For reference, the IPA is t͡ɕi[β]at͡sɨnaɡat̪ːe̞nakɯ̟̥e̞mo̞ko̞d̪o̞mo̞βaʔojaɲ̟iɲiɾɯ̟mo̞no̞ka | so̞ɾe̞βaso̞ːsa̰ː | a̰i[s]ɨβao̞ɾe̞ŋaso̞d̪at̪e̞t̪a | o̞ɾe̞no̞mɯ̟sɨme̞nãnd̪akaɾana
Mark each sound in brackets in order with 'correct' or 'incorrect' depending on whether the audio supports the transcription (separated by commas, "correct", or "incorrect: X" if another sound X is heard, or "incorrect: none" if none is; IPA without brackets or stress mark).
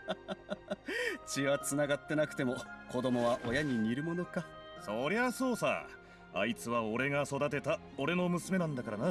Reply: correct, incorrect: t͡s